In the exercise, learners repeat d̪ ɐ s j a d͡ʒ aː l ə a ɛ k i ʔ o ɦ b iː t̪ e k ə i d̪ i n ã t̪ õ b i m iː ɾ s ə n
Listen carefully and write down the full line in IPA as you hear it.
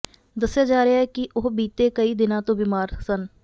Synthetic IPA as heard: d̪ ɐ s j a d͡ʒ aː ɾ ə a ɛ k i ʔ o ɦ b iː t̪ e k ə i d̪ ɪ n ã t̪ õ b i m aː ɾ s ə n